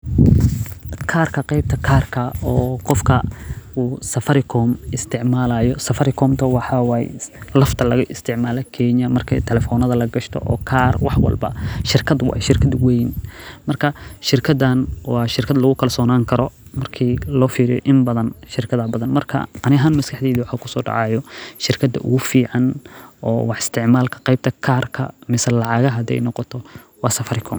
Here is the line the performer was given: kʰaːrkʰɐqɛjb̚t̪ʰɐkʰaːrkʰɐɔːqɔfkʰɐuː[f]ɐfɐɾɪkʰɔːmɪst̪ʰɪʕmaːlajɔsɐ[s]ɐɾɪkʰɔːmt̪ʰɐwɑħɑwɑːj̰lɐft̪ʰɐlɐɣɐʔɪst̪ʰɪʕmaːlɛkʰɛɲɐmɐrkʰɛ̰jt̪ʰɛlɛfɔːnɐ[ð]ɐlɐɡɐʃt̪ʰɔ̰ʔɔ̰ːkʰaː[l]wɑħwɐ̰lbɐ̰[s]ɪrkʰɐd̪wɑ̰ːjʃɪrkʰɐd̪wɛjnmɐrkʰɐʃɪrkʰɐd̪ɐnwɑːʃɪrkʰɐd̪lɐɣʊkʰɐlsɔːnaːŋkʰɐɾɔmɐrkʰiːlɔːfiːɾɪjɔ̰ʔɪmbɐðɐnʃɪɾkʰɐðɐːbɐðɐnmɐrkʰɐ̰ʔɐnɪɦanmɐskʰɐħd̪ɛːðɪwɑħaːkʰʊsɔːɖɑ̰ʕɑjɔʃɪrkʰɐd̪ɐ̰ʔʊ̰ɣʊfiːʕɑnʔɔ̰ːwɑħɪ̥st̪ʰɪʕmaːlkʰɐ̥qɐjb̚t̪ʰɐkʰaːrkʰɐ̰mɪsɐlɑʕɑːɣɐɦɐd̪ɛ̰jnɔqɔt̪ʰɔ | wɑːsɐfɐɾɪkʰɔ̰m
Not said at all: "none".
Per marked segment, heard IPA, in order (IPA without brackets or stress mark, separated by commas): s, f, ð, r, ʃ